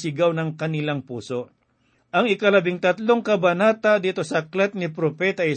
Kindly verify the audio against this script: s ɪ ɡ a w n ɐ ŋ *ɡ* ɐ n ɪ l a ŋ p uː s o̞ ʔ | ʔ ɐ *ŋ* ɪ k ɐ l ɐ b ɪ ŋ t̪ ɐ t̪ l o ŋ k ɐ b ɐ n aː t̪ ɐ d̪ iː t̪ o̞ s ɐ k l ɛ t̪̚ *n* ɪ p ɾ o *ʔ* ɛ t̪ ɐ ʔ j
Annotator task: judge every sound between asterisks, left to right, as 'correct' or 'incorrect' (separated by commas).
incorrect, correct, correct, incorrect